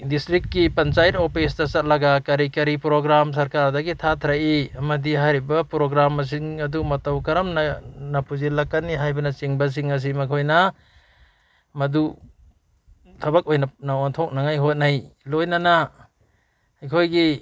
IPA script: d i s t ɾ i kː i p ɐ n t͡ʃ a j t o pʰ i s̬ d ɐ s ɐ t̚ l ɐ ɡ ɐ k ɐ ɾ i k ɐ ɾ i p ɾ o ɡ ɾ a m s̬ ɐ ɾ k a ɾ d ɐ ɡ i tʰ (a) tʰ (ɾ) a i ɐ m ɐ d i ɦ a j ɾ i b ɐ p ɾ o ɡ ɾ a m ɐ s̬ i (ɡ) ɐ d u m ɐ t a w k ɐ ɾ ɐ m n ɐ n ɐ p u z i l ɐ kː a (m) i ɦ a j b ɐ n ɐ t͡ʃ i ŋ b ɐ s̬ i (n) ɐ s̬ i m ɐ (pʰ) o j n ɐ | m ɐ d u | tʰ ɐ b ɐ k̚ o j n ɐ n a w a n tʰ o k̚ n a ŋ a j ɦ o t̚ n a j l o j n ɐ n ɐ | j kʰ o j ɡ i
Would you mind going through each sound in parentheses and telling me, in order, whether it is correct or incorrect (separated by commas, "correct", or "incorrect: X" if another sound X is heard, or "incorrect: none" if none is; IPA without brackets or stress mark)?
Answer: correct, correct, incorrect: ŋ, incorrect: n, incorrect: ŋ, incorrect: kʰ